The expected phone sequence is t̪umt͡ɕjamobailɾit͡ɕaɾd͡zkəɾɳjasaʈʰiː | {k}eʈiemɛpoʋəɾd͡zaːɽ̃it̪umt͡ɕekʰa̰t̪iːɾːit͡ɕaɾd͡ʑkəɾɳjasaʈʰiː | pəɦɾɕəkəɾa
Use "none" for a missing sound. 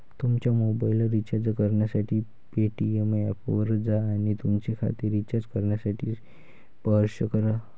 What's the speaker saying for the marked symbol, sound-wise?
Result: p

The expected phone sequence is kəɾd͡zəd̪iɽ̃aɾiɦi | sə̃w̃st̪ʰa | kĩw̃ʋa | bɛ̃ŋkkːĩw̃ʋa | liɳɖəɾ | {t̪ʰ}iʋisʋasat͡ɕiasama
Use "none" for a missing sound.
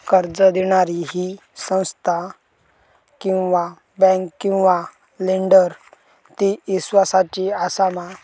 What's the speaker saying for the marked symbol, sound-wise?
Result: t̪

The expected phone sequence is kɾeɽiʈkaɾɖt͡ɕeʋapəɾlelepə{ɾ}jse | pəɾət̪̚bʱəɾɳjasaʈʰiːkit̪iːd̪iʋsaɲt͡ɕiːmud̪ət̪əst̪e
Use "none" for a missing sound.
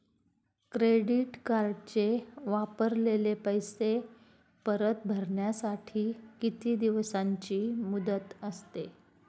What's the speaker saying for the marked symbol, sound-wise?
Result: none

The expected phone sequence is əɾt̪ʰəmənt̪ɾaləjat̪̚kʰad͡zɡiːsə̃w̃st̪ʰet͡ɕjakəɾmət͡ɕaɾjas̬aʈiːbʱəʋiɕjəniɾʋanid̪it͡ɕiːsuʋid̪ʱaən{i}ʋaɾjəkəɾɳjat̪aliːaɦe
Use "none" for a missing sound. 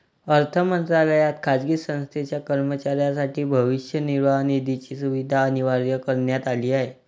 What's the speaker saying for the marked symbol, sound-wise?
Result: i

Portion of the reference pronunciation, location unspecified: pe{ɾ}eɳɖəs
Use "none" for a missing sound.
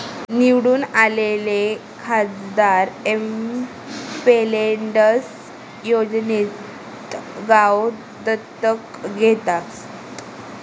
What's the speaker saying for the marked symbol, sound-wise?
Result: l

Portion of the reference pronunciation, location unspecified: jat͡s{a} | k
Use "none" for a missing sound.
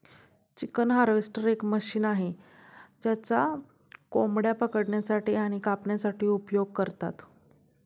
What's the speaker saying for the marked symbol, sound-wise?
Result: a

